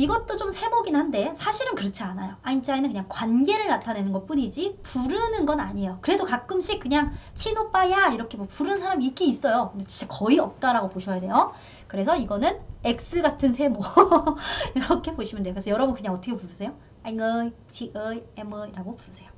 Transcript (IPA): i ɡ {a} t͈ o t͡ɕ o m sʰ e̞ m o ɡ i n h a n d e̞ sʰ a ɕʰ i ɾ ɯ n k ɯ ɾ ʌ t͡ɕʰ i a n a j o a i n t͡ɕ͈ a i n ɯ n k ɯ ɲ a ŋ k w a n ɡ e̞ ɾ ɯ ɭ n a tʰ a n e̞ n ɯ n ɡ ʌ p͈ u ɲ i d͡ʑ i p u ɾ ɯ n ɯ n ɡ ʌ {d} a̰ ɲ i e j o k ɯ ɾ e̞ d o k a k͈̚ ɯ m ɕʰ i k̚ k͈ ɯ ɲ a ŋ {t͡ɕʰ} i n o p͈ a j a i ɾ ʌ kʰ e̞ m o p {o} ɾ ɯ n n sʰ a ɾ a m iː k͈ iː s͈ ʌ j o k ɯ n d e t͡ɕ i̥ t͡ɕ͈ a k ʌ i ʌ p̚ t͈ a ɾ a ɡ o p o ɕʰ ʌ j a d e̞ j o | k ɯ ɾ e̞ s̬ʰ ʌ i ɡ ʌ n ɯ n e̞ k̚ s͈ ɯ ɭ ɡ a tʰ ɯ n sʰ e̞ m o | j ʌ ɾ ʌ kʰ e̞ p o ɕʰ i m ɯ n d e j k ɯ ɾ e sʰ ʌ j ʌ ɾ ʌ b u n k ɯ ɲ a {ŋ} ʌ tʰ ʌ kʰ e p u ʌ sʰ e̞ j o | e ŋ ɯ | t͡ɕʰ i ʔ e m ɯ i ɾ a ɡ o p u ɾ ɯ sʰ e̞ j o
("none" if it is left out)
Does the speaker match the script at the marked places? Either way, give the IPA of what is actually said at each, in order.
ʌ, n, t͡ɕʰ, u, ŋ

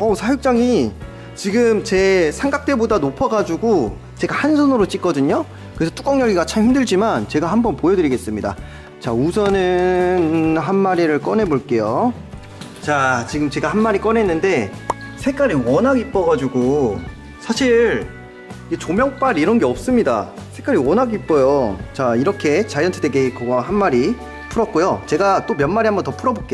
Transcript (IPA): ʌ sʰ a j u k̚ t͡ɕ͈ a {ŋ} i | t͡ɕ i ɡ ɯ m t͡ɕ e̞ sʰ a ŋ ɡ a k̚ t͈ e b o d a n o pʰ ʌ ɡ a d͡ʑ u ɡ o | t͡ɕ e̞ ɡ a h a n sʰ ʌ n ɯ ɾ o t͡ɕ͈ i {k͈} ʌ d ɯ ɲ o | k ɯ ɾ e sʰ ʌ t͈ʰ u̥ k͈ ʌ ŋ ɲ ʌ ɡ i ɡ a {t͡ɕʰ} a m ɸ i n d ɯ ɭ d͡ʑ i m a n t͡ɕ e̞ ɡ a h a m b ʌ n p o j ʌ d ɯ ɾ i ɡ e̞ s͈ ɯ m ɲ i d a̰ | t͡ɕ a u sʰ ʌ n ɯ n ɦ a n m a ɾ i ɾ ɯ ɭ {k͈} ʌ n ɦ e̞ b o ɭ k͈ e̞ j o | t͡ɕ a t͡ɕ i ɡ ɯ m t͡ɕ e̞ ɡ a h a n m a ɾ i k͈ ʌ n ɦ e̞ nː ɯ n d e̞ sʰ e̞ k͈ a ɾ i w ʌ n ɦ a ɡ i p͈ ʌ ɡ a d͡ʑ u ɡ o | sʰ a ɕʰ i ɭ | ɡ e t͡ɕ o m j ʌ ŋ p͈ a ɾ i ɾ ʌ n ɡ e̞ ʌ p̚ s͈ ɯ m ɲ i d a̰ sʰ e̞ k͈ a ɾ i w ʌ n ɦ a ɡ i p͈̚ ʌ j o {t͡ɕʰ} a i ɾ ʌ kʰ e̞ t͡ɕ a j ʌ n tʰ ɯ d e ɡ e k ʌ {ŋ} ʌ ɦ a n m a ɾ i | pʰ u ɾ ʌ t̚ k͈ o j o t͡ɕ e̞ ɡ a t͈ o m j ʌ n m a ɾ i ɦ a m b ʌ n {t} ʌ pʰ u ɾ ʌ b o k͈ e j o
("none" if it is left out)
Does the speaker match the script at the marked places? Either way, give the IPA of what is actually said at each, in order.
ŋ, k͈, t͡ɕʰ, k͈, t͡ɕ, ɡ, t

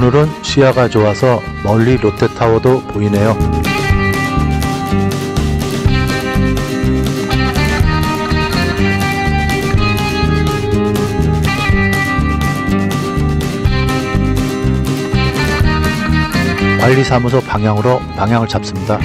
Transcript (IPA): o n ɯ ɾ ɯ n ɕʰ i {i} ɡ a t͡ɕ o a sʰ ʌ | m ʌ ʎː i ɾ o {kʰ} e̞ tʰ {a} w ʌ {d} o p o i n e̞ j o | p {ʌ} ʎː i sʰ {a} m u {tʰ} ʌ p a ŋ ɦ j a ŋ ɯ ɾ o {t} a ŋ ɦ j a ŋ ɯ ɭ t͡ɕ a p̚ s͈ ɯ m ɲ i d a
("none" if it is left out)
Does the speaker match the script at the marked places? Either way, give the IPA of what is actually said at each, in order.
a, tʰ, a, d, a, a, sʰ, p

